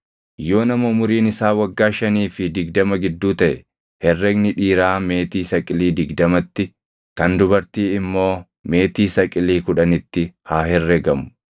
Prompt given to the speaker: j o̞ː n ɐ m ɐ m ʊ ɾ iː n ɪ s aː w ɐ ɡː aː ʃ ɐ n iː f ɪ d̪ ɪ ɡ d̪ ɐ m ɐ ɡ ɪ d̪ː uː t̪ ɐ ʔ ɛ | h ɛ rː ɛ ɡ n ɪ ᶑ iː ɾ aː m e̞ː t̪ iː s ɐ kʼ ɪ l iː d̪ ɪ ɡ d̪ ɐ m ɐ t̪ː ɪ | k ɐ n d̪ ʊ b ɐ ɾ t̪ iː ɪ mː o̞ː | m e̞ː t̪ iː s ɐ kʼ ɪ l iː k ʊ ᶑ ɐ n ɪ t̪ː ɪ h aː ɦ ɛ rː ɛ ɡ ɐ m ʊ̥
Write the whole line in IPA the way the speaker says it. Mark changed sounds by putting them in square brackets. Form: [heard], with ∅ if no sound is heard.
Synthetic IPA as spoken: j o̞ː n ɐ m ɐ m ʊ ɾ iː n ɪ s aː w ɐ ɡː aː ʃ ɐ n iː f ɪ d̪ ɪ ɡ d̪ ɐ m ɐ ɡ ɪ d̪ː uː t̪ ɐ ʔ ɛ | h ɛ rː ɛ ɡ n ɪ ᶑ iː ɾ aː m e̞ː t̪ iː s ɐ kʼ ɪ l iː d̪ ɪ ɡ d̪ ɐ m ɐ t̪ː ɪ | k ɐ n d̪ ʊ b ɐ ɾ t̪ iː ɪ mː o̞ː | m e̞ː t̪ iː s ɐ kʼ ɪ l iː k ʊ ᶑ ɐ n ɪ t̪ː ɪ h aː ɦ ɛ rː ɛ ɡ ɐ m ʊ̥